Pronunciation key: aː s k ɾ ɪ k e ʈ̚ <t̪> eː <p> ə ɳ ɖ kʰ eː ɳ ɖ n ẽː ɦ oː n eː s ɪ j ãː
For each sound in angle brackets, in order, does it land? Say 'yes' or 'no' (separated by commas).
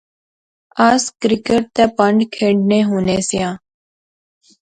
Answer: yes, yes